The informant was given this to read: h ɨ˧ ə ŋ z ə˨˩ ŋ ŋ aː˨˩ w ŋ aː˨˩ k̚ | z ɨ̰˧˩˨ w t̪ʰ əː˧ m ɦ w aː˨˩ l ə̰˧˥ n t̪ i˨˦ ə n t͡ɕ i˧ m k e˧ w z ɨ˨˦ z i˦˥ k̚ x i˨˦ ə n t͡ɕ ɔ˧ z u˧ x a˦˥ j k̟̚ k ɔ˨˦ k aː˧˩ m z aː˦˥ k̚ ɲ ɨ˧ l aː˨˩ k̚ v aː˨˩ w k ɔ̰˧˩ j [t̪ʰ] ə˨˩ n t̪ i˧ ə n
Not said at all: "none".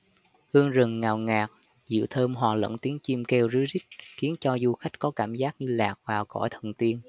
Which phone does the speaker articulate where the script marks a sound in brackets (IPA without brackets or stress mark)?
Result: t̪ʰ